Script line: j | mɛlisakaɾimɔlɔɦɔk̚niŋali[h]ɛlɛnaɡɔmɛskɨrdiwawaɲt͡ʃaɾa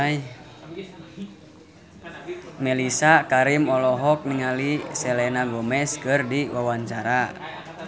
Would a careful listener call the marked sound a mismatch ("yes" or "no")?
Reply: yes